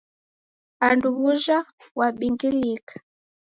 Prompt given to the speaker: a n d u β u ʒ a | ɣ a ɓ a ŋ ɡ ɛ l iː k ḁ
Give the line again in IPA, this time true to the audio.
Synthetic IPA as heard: a n d u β u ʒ a | w a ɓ i ŋ ɡ i l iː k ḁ